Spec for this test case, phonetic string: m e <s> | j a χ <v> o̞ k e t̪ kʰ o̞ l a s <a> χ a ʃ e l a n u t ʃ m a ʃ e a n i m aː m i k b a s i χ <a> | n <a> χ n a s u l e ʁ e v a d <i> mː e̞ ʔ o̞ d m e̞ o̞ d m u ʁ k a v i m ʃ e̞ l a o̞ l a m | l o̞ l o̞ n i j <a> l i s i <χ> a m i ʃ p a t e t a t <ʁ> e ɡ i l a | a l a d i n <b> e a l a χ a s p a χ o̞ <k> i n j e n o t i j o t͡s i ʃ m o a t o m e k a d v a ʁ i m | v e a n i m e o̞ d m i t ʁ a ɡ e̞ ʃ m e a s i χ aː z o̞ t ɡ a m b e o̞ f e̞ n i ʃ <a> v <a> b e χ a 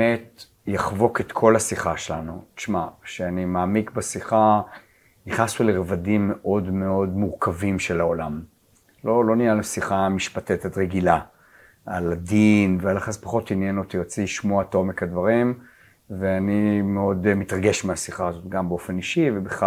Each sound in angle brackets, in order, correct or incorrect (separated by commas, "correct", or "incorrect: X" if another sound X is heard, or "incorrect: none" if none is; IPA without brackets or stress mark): incorrect: t, correct, incorrect: i, correct, incorrect: i, correct, correct, correct, correct, incorrect: v, incorrect: t, incorrect: i, incorrect: e